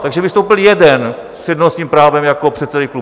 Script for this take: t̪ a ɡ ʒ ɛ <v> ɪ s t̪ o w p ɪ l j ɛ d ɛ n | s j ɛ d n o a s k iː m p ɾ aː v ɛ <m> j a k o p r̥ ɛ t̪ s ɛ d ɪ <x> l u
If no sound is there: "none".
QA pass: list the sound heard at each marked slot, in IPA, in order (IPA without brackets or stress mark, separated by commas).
v, m, k